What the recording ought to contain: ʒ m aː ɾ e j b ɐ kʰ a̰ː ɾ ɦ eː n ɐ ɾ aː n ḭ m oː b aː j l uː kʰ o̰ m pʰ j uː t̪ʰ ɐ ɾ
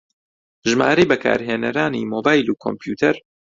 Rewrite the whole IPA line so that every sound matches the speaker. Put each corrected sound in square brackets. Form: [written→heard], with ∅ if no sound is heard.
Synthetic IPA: ʒ m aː ɾ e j b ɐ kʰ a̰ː ɾ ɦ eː n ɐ ɾ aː n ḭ m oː b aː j l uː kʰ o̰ m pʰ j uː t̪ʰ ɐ ɾ